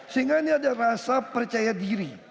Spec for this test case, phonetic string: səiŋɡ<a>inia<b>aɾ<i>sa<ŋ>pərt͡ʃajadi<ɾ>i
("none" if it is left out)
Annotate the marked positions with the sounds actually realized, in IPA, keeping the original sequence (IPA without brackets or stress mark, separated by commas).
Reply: a, d, a, none, ɾ